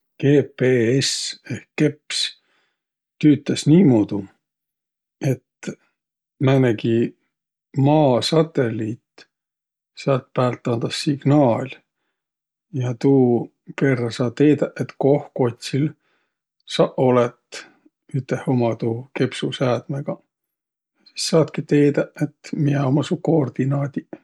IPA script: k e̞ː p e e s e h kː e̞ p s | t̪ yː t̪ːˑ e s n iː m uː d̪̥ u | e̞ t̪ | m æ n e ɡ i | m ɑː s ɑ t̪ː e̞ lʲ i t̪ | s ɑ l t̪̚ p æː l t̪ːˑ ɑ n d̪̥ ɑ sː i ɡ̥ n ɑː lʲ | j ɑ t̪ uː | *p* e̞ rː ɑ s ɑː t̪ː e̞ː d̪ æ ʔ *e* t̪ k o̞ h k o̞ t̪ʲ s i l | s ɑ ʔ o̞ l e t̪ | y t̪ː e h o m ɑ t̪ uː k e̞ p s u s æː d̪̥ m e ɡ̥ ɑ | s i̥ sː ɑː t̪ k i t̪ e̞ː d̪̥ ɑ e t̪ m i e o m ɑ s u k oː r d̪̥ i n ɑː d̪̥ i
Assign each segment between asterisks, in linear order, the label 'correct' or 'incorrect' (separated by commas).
incorrect, correct